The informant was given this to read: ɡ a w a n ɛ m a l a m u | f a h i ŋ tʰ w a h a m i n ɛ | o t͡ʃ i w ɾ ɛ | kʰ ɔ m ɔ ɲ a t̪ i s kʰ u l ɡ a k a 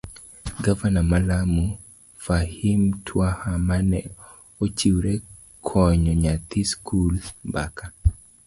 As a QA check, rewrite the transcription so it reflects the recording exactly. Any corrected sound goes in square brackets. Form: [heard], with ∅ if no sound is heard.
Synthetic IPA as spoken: ɡ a [v] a n [a] m a l a m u | f a h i [m] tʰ w a h a m [a] n ɛ | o t͡ʃ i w ɾ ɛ | kʰ ɔ [ɲ] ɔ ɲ a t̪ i s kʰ u l [b] a k a